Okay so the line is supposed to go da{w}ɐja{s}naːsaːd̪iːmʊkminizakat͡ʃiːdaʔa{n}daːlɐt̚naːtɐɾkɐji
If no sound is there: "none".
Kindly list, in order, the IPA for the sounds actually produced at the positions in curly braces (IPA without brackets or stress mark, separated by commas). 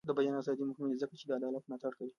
b, none, none